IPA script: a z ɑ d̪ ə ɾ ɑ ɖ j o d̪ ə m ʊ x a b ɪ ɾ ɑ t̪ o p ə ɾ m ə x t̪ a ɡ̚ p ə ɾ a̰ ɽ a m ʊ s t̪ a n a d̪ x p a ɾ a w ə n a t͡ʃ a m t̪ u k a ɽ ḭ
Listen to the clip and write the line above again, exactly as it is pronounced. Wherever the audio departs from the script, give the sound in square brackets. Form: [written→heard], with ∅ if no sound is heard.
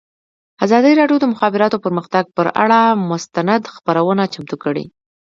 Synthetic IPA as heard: a z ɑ d̪ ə ɾ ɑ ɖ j o d̪ ə m ʊ x [a→ɑ] b ɪ ɾ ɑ t̪ o p ə ɾ m ə x t̪ a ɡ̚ p ə ɾ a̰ ɽ a m ʊ s t̪ a n a d̪ x p a ɾ a w ə n a t͡ʃ a m t̪ u k [a→ə] ɽ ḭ

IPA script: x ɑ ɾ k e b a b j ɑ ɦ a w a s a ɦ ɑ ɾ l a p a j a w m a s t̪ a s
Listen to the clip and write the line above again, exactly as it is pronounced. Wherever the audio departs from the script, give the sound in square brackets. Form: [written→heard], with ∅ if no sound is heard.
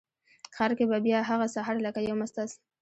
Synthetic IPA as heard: x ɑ ɾ k e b a b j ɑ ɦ a [w→ɣ] a s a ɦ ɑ ɾ l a [p→k] a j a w m a s t̪ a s

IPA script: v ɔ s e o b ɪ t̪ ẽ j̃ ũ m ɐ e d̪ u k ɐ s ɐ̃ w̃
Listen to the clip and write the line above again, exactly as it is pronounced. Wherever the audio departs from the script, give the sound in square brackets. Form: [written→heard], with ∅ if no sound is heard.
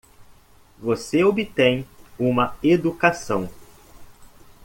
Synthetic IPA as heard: v [ɔ→o] s e o b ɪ t̪ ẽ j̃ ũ m ɐ e d̪ u k [ɐ→a] s ɐ̃ w̃

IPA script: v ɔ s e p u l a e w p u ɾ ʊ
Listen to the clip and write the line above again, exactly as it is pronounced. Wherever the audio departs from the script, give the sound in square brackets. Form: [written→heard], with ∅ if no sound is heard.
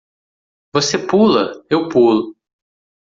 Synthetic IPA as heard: v [ɔ→o] s e p u l [a→ɐ] e w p u [ɾ→l] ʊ

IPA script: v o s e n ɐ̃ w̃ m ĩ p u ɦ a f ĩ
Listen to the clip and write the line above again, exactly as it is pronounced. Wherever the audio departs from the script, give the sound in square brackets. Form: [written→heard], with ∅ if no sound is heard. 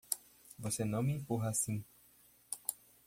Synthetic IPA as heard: v o s e n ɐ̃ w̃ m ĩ p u ɦ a [f→s] ĩ

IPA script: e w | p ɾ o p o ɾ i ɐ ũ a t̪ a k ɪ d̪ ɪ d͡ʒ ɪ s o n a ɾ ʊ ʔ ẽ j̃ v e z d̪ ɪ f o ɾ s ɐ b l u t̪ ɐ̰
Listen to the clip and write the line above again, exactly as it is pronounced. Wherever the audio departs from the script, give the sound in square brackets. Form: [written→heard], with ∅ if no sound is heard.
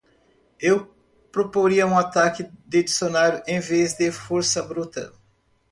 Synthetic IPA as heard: e w | p ɾ o p o ɾ i ɐ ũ a t̪ a k ɪ d̪ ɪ d͡ʒ [ɪ→i] s o n a ɾ ʊ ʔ ẽ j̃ v e z d̪ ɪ f o ɾ s ɐ b [l→ɾ] u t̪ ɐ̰

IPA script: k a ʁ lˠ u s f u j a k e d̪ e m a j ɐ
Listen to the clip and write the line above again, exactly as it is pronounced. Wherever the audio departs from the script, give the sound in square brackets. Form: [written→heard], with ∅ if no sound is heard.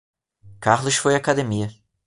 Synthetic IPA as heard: k a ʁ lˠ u [s→ʃ] f [u→o] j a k [e→a] d̪ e m [a→i] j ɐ

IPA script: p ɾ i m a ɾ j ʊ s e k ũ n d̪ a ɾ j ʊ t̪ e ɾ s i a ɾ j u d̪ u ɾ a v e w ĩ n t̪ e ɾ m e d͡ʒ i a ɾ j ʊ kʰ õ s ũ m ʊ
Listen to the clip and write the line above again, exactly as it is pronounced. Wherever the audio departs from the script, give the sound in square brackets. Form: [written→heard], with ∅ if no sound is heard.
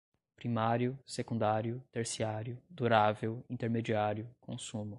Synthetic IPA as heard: p ɾ i m a ɾ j ʊ s e k ũ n d̪ a ɾ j ʊ t̪ e ɾ s i a ɾ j [u→ʊ] d̪ u ɾ a v e w ĩ n t̪ e ɾ m e d͡ʒ i a ɾ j ʊ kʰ õ s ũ m ʊ

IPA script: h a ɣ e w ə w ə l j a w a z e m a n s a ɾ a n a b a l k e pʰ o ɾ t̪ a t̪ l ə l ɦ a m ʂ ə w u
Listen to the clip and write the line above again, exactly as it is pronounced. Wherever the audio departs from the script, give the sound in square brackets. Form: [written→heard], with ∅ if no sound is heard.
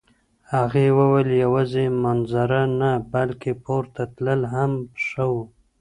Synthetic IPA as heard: h a ɣ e w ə w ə l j a w a z e m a n [s→z] a ɾ a n a b a l k e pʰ o ɾ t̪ a t̪ l ə l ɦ a m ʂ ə w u

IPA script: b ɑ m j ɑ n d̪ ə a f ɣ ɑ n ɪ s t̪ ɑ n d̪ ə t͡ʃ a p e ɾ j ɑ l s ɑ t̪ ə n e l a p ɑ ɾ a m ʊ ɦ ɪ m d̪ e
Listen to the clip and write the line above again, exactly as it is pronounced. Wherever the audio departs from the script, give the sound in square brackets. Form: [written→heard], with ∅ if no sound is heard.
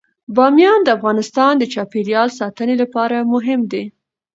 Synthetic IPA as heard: b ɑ m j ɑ n d̪ ə a f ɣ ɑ n ɪ s t̪ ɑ n d̪ ə t͡ʃ [a→ɑ] p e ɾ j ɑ l s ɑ t̪ ə n e l a p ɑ ɾ a m ʊ ɦ ɪ m d̪ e

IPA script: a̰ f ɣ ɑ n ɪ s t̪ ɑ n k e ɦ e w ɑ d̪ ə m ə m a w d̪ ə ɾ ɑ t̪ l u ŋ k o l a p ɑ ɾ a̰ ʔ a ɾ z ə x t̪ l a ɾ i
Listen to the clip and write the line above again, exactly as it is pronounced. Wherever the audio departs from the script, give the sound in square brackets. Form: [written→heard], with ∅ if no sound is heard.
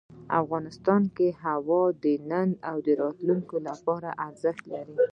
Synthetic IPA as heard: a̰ f ɣ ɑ n ɪ s t̪ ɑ n k e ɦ [e→a] w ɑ d̪ ə [m→n] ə [m→n] a w d̪ ə ɾ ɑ t̪ l u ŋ k o l a p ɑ ɾ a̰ ʔ a ɾ z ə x t̪ l a ɾ i

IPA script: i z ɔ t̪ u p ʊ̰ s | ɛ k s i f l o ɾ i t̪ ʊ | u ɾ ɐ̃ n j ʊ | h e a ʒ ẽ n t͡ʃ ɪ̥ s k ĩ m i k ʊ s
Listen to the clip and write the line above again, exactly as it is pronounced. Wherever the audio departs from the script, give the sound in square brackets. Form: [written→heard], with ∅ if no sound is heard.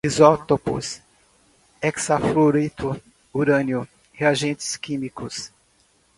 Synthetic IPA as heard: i z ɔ t̪ [u→o] p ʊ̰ s | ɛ k s [i→a] f l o ɾ i t̪ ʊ | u ɾ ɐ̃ n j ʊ | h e a ʒ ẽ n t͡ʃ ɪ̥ s k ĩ m i k ʊ s

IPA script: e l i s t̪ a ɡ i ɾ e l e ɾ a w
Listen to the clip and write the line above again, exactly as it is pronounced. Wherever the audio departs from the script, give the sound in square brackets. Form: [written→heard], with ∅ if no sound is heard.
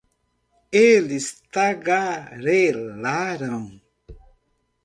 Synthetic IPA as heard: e l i s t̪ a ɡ [i→a] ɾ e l [e→a] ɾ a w

